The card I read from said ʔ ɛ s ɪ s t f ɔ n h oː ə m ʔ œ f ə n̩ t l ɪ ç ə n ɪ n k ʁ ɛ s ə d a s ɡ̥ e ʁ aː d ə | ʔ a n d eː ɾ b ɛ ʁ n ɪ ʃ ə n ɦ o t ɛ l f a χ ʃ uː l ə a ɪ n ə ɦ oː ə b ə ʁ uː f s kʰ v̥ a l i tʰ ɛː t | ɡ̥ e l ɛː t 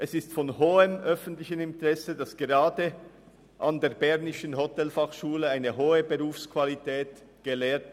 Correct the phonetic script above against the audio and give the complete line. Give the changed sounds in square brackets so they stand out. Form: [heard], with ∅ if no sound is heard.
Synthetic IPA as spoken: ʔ ɛ s ɪ s t f ɔ n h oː ə m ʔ œ f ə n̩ t l ɪ ç ə n ɪ n [t] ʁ ɛ s ə d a s ɡ̥ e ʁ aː d ə | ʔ a n d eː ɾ b ɛ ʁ n ɪ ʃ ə n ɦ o t ɛ l f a χ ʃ uː l ə a ɪ n ə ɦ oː ə b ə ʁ uː f s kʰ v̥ a l i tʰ ɛː t | ɡ̥ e l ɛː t